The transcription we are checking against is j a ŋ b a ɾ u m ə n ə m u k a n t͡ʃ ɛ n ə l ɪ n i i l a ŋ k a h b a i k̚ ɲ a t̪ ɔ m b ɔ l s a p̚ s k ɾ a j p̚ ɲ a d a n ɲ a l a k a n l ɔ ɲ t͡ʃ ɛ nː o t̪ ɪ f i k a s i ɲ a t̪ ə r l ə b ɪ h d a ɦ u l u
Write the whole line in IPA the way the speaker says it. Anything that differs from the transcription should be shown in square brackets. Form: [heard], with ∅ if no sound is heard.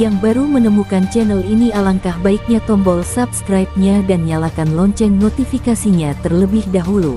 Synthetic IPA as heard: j a ŋ b a ɾ u m ə n ə m u k a n t͡ʃ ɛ n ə l [i] n i [a] l a ŋ k a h b a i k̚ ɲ a t̪ ɔ m b ɔ l s a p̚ s k ɾ a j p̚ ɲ a d a n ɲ a l a k a n l ɔ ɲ t͡ʃ ɛ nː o t̪ [i] f i k a s i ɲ a t̪ ə r l ə b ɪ h d a ɦ u l u